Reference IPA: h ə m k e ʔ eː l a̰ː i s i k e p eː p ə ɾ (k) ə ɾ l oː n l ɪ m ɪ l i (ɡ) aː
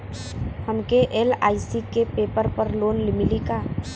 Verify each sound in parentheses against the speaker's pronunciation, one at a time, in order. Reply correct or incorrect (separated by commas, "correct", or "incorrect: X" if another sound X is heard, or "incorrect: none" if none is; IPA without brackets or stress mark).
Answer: incorrect: p, incorrect: k